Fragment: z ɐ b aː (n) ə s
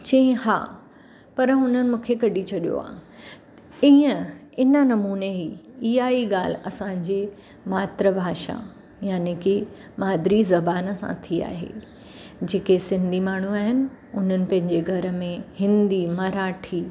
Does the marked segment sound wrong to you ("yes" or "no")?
no